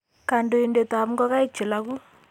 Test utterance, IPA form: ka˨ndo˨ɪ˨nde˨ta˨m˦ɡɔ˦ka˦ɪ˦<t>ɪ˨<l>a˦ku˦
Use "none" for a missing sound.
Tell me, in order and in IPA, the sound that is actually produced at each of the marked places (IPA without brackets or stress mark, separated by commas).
t͡ʃ, l